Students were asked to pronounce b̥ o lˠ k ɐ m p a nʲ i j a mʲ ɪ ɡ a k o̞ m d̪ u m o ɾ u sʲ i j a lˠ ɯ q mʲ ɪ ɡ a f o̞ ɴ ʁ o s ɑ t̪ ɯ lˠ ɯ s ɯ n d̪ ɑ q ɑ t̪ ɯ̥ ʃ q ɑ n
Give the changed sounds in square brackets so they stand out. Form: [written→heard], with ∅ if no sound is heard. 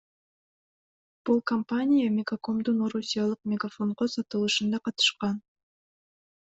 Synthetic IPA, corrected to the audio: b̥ [o→u] lˠ k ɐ m p a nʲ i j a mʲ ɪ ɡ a k o̞ m d̪ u [m→n] o ɾ u sʲ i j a lˠ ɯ q mʲ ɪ ɡ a f o̞ ɴ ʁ o s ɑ t̪ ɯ lˠ ɯ [s→ʃ] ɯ n d̪ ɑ q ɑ t̪ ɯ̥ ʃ q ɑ n

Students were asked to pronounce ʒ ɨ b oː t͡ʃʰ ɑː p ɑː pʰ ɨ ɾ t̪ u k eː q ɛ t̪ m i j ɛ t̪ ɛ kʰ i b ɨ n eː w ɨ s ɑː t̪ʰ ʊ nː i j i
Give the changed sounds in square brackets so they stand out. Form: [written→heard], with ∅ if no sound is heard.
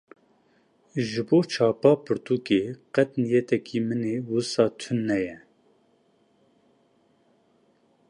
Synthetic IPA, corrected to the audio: ʒ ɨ b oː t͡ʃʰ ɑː p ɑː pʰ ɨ ɾ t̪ u k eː q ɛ t̪ [m→n] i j ɛ t̪ ɛ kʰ i [b→m] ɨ n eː w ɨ s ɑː t̪ʰ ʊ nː [i→ɛ] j [i→ɛ]

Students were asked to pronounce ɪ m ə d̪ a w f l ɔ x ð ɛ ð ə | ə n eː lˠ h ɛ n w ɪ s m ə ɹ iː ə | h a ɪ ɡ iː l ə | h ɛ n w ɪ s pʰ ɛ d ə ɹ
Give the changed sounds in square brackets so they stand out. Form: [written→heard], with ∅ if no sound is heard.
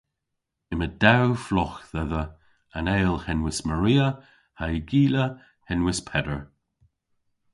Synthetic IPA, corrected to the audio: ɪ m ə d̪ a w f l ɔ x ð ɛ ð ə | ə n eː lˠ h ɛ n w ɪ s m ə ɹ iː ə | h a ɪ ɡ iː l ə | h ɛ n w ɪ s pʰ ɛ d ə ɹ

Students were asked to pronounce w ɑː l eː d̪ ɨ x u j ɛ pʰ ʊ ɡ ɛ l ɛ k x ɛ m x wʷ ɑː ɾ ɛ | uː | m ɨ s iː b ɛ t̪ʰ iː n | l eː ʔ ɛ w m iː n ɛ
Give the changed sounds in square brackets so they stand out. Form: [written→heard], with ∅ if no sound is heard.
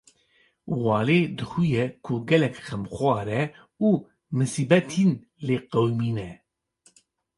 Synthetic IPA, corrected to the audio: w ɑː l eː d̪ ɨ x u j ɛ [pʰ→kʰ] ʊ ɡ ɛ l ɛ k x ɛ m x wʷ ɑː ɾ ɛ | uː | m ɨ s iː b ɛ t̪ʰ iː n | l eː [ʔ→q] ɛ w m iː n ɛ

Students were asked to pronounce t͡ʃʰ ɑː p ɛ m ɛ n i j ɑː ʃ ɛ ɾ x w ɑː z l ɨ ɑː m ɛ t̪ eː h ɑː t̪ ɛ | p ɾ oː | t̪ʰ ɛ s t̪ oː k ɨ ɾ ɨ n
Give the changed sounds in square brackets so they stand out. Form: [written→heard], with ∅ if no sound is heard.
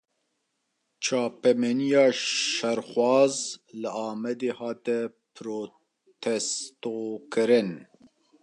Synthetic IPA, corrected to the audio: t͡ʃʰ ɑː p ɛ m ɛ n i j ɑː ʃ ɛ ɾ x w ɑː z l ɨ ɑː m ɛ [t̪→d̪] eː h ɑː t̪ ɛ | p ɾ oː | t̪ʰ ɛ s t̪ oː k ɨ ɾ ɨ n

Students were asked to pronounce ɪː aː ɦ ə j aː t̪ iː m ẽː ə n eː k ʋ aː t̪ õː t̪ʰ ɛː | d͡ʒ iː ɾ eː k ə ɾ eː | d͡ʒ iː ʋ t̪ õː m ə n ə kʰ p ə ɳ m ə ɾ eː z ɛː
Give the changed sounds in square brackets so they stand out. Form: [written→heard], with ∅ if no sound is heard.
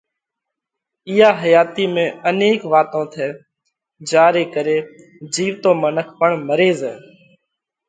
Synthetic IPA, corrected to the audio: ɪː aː ɦ ə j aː t̪ iː m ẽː ə n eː k ʋ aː t̪ õː t̪ʰ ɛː | d͡ʒ [iː→aː] ɾ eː k ə ɾ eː | d͡ʒ iː ʋ t̪ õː m ə n ə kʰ p ə ɳ m ə ɾ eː z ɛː

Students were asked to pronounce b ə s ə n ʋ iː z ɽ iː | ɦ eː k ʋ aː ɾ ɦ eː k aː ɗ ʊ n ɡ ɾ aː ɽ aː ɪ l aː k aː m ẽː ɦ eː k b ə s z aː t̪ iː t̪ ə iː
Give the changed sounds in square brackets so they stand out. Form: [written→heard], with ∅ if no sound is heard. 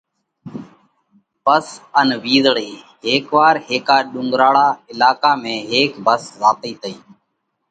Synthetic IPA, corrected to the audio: b ə s ə n ʋ iː z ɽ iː | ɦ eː k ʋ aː ɾ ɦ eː k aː ɗ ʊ [n→ŋ] ɡ ɾ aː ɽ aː ɪ l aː k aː m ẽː ɦ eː k b ə s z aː t̪ iː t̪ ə iː

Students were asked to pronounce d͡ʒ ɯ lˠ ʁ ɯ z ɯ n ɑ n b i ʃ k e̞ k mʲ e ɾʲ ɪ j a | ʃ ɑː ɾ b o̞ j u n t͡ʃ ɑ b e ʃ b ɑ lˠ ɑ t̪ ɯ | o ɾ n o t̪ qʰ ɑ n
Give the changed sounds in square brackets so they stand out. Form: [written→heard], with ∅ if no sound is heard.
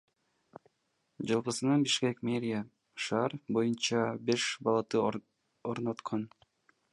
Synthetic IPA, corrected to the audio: d͡ʒ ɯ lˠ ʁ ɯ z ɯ n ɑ n b i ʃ k e̞ k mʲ e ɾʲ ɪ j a | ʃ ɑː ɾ b o̞ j u n t͡ʃ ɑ b e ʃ b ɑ lˠ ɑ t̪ ɯ | o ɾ n o t̪ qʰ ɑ n

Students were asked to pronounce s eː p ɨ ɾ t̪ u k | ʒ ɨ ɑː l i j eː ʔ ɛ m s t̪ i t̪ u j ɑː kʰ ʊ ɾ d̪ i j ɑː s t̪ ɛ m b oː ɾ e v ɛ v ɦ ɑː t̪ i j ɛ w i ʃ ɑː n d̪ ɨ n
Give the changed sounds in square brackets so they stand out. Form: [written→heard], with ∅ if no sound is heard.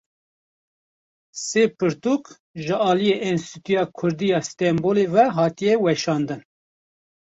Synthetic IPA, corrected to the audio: s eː p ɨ ɾ t̪ u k | ʒ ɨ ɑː l i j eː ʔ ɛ [m→n] s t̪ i t̪ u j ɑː kʰ ʊ ɾ d̪ i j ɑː s t̪ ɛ m b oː [ɾ→l] e v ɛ [v→∅] ɦ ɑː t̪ i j ɛ w [i→ɛ] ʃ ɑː n d̪ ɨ n

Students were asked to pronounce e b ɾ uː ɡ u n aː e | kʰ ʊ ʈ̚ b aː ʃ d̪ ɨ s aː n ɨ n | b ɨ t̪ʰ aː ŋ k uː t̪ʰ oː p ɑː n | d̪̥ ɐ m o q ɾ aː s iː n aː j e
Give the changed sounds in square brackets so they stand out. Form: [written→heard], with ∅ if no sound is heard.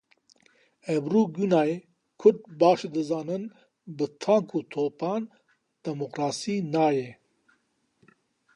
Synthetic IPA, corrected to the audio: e b ɾ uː ɡ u n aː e | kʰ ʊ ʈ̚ b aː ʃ d̪ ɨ [s→z] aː n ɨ n | b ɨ t̪ʰ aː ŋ k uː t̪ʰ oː p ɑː n | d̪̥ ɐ m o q ɾ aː s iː n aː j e

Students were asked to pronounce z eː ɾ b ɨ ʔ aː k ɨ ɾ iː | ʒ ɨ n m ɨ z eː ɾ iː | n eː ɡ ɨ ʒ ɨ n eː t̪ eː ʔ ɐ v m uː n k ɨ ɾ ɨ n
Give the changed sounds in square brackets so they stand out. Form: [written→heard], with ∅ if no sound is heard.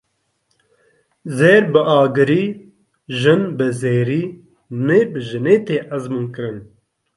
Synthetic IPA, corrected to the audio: z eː ɾ b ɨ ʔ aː [k→ɡ] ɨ ɾ iː | ʒ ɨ n [m→b] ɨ z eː ɾ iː | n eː [ɡ→b] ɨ ʒ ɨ n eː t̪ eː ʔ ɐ [v→z] m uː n k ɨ ɾ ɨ n

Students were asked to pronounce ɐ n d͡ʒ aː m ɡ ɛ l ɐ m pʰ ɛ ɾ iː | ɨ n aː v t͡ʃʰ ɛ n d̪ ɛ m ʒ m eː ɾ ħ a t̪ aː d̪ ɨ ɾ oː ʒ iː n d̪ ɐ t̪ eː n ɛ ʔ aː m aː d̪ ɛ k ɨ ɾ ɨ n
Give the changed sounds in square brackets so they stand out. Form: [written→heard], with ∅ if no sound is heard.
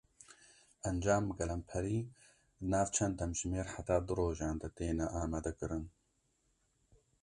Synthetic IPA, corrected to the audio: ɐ n d͡ʒ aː m ɡ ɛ l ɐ m pʰ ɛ ɾ iː | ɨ n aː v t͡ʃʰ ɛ n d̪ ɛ m ʒ m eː ɾ ħ a t̪ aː d̪ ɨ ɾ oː ʒ [iː→aː] n d̪ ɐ t̪ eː n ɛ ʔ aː m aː d̪ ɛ k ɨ ɾ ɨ n

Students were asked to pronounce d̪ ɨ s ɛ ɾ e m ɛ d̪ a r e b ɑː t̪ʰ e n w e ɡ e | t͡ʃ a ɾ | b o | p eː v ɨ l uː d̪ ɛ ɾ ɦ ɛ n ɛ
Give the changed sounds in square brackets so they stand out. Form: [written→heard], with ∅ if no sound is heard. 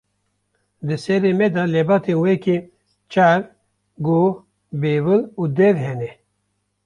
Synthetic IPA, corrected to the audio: d̪ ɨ s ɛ ɾ e m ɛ d̪ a [r→l] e b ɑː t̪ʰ e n w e [ɡ→k] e | t͡ʃ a ɾ | [b→ɡ] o | [p→b] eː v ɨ l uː d̪ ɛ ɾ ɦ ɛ n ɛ

